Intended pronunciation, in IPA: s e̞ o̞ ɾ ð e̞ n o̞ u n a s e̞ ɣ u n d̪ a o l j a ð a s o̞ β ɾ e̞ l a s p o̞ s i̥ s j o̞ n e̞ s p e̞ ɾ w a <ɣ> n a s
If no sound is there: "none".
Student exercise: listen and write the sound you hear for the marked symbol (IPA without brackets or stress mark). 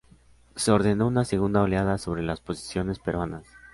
none